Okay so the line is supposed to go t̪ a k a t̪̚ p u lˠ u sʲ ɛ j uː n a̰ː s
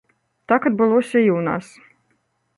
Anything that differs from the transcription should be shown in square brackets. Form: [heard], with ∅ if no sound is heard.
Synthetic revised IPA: t̪ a k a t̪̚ [b] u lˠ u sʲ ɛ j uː n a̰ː s

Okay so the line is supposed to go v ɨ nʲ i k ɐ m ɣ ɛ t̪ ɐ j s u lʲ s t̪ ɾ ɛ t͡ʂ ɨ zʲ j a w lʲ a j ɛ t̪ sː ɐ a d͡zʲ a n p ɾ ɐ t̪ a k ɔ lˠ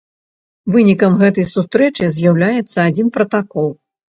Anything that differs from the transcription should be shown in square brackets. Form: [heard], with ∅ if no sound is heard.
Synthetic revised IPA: v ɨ nʲ i k ɐ m ɣ ɛ t̪ ɐ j s u [∅] s t̪ ɾ ɛ t͡ʂ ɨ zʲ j a w lʲ a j ɛ t̪ sː ɐ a d͡zʲ [i] n p ɾ ɐ t̪ a k ɔ lˠ

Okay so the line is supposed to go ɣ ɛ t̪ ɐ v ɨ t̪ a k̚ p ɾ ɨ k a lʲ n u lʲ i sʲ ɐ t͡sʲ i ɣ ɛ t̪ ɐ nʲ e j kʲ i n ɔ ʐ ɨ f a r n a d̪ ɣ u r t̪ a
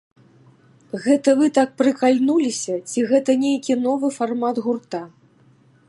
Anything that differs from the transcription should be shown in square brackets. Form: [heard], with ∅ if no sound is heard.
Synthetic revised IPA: ɣ ɛ t̪ ɐ v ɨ t̪ a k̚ p ɾ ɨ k a lʲ n u lʲ i sʲ ɐ t͡sʲ i ɣ ɛ t̪ ɐ nʲ e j kʲ i n ɔ [v] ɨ f a r [m] a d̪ ɣ u r t̪ a

